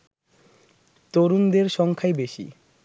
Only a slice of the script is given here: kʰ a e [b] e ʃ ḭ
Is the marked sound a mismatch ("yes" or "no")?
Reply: no